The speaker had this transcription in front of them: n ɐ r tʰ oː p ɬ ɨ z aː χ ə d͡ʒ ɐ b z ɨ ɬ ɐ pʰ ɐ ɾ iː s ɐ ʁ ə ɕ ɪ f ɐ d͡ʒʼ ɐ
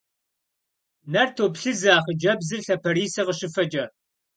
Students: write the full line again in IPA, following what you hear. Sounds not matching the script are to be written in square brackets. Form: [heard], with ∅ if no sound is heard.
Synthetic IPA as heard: n ɐ r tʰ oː p ɬ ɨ z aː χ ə d͡ʒ ɐ b z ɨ ɬ ɐ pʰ ɐ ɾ iː s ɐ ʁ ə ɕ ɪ f ɐ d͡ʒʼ ɐ

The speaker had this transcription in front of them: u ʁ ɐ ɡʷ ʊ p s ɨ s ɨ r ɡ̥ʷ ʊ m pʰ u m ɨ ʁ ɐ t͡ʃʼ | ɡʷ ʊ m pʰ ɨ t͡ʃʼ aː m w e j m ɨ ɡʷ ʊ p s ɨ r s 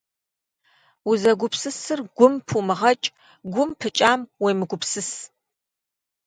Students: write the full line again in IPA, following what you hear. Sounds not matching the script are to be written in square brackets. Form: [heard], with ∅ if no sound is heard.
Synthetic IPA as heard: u [z] ɐ ɡʷ ʊ p s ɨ s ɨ r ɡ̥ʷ ʊ m pʰ u m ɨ ʁ ɐ t͡ʃʼ | ɡʷ ʊ m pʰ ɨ t͡ʃʼ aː m w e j m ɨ ɡʷ ʊ p s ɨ [∅] s

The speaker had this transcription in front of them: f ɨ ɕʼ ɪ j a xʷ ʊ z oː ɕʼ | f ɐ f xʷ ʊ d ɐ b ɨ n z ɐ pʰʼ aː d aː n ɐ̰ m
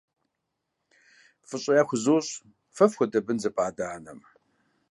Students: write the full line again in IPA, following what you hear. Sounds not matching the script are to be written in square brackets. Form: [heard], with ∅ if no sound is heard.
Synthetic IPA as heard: f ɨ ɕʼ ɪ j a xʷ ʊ z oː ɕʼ | f ɐ f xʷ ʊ d ɐ b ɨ n z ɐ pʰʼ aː d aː n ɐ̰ m

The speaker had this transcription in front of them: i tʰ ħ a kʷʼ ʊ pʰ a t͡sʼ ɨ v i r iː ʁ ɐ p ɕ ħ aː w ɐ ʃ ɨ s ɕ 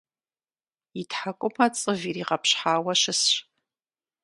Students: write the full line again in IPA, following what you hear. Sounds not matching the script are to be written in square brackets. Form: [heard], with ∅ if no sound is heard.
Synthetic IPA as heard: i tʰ ħ a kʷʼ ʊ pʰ a t͡sʼ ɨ v i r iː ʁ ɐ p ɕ ħ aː w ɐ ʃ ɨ s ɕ

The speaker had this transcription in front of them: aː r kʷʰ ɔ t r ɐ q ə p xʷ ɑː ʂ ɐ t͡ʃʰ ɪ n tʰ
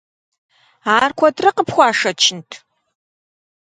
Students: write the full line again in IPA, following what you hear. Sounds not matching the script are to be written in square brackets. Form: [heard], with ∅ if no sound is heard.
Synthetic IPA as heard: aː r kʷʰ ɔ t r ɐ q ə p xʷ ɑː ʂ ɐ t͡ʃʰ ɪ n tʰ

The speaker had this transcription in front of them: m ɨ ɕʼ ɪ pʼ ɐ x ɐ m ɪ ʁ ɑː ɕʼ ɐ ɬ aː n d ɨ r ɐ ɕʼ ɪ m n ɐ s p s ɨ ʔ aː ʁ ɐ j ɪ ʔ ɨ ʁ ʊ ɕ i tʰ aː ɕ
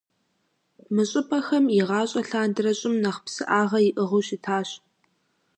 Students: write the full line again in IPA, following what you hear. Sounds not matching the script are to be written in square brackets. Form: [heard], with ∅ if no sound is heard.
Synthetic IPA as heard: m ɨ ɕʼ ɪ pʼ ɐ x ɐ m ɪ ʁ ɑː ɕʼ ɐ ɬ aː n d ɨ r ɐ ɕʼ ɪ m n ɐ [χ] p s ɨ ʔ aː ʁ ɐ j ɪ ʔ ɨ ʁ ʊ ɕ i tʰ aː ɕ

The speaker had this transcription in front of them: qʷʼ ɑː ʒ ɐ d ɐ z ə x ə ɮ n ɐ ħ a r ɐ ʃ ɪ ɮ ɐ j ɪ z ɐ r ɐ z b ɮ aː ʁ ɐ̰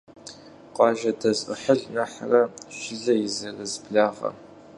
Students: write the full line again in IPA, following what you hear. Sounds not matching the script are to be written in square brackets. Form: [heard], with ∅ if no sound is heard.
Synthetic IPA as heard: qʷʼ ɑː ʒ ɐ d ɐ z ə [ħ] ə ɮ n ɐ ħ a r ɐ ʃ ɪ ɮ ɐ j ɪ z ɐ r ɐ z b ɮ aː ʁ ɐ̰

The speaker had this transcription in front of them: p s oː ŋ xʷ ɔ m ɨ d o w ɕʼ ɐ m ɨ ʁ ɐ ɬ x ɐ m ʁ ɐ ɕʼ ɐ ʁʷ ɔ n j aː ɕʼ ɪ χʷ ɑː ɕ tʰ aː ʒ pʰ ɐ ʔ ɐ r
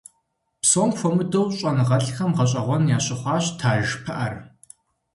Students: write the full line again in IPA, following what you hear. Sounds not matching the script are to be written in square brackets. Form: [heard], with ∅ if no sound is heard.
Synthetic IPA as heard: p s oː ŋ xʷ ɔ m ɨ d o w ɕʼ ɐ [n] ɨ ʁ ɐ ɬ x ɐ m ʁ ɐ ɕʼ ɐ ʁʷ ɔ n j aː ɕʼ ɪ χʷ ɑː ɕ tʰ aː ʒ pʰ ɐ ʔ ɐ r

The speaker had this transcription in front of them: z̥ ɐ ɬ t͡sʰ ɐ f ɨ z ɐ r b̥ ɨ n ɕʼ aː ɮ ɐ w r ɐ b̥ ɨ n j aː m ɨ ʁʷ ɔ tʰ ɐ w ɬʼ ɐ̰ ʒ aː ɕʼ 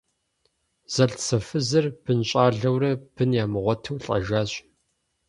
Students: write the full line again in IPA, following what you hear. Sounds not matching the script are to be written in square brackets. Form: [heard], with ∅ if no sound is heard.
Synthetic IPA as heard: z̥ ɐ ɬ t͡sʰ ɐ f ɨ z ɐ r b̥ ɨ n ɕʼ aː ɮ ɐ w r ɐ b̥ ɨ n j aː m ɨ ʁʷ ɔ tʰ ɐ w ɬʼ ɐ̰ ʒ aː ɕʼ

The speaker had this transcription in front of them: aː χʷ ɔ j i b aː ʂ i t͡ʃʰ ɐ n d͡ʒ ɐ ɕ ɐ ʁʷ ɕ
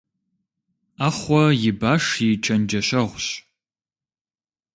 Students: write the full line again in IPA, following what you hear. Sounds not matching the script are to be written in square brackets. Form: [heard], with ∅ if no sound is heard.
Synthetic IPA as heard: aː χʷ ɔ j [ɪ] b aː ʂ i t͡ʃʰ ɐ n d͡ʒ ɐ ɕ ɐ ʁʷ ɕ

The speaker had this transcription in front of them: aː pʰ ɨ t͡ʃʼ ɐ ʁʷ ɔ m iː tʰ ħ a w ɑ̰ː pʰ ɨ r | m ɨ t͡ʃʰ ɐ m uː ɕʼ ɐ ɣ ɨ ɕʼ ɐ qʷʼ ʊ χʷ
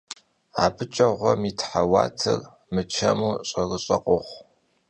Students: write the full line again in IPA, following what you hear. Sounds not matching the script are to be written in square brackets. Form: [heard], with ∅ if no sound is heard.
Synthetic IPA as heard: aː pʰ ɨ t͡ʃʼ ɐ ʁʷ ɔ m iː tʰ ħ a w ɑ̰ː [tʰ] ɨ r | m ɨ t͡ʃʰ ɐ m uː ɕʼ ɐ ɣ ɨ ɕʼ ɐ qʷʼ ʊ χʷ

